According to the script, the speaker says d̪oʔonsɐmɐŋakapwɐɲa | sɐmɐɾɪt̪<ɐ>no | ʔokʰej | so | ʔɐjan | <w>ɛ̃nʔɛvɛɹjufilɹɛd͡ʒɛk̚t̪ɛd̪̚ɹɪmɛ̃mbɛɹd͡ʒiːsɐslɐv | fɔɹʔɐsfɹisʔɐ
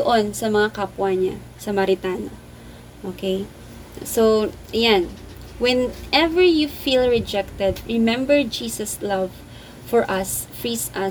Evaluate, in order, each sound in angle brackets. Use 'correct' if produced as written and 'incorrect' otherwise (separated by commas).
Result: incorrect, correct